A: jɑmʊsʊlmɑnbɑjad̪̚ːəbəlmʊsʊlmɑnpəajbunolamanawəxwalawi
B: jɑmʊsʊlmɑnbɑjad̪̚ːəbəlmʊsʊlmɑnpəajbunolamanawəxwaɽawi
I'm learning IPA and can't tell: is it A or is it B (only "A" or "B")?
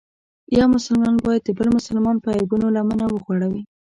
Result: B